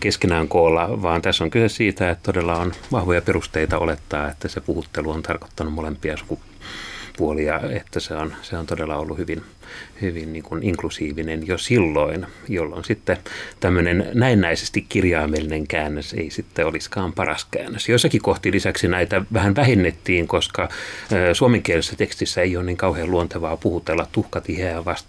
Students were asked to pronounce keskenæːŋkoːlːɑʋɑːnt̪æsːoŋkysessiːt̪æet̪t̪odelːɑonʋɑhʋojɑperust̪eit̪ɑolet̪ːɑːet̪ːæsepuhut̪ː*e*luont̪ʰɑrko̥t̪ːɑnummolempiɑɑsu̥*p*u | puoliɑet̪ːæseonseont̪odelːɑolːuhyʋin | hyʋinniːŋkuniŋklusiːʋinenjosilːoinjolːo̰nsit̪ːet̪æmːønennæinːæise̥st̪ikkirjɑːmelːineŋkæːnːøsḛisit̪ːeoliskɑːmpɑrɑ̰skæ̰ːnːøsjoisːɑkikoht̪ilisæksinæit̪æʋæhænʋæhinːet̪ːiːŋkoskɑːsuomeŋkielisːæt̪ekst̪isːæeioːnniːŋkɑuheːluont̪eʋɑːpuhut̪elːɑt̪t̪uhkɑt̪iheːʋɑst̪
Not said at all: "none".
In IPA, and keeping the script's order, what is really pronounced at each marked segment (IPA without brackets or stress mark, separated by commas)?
e, k